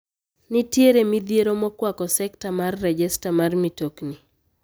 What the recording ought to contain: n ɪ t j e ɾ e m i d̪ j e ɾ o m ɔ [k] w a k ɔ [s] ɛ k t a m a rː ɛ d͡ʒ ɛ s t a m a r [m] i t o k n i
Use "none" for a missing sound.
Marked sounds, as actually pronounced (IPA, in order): k, s, m

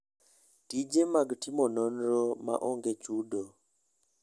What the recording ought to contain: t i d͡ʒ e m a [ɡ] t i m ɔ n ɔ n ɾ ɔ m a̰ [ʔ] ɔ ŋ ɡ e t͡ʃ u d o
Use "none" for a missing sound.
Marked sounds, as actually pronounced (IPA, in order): ɡ, ʔ

